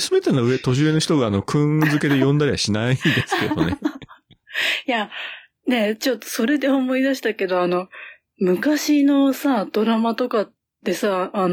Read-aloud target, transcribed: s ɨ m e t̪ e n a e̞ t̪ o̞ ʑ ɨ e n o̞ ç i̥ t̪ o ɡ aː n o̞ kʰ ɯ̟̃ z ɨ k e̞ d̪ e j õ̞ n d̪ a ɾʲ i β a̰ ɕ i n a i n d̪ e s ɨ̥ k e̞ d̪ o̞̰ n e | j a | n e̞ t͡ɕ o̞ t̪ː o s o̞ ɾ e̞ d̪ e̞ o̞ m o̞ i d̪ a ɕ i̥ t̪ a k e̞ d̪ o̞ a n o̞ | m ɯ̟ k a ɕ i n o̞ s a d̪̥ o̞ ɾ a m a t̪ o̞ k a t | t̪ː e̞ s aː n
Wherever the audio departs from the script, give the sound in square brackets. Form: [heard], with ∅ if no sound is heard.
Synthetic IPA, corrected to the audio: s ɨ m e t̪ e n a e̞ t̪ o̞ ʑ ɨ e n o̞ ç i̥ t̪ o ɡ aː n o̞ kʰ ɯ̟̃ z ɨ k e̞ d̪ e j õ̞ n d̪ a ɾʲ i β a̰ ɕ i n a i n d̪ e s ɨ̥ k e̞ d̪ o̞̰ n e | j a | n e̞ t͡ɕ o̞ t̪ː o s o̞ ɾ e̞ d̪ e̞ o̞ m o̞ i d̪ a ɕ i̥ t̪ a k e̞ d̪ o̞ a n o̞ | m ɯ̟ k a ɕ i n o̞ s a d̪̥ o̞ ɾ a m a t̪ o̞ k a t | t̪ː e̞ s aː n